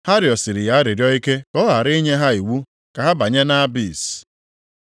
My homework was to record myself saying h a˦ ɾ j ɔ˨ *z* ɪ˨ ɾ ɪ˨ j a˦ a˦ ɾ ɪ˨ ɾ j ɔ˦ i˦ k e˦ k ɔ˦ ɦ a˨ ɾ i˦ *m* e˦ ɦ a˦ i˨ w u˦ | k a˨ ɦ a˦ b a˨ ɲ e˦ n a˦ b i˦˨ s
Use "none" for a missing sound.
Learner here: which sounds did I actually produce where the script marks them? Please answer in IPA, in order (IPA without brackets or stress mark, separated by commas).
s, ɲ